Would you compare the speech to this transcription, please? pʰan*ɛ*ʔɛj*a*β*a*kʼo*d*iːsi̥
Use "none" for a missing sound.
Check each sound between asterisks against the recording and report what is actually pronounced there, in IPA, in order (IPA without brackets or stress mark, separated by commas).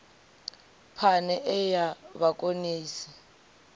ɛ, a, a, n